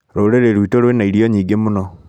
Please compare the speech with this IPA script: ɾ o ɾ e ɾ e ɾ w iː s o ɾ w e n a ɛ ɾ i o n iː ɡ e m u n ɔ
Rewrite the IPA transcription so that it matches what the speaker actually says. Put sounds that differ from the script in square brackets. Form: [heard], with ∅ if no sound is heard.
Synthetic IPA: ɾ o ɾ e ɾ e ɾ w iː [t] o ɾ w e n a [i] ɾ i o [ɲ] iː ɡ e m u n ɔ